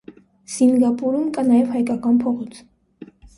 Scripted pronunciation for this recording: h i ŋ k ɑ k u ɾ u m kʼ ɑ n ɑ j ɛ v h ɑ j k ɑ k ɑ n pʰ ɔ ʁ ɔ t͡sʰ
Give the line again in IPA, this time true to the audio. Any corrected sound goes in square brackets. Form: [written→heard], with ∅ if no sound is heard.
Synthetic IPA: [h→s] i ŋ [k→ɡ] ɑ [k→p] u ɾ u m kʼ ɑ n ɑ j ɛ v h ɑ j k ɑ k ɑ n pʰ ɔ ʁ ɔ t͡sʰ